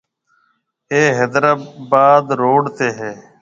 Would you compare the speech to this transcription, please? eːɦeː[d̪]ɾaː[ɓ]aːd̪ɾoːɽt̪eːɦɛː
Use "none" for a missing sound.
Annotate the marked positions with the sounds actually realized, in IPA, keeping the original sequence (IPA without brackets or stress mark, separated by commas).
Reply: d̪, b